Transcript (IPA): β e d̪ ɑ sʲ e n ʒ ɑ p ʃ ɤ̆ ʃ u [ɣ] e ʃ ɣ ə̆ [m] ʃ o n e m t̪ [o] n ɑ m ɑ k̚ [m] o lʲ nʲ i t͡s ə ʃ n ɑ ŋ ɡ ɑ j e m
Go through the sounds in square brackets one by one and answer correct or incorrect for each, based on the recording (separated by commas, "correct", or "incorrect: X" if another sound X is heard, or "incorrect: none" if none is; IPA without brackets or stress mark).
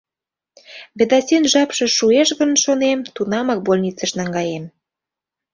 incorrect: none, incorrect: n, incorrect: u, incorrect: b